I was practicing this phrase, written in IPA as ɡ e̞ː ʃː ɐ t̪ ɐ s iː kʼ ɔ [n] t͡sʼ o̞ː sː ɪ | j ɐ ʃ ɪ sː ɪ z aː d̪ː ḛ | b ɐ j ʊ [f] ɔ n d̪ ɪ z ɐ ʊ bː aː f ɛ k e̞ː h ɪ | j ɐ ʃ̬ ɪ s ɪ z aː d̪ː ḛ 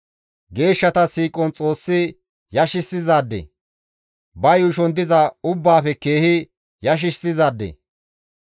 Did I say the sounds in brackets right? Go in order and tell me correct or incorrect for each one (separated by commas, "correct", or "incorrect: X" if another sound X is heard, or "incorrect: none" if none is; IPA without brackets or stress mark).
correct, incorrect: ʃ